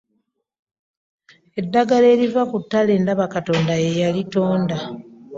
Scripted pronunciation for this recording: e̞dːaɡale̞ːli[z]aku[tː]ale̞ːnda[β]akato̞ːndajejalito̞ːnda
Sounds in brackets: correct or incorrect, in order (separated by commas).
incorrect, correct, correct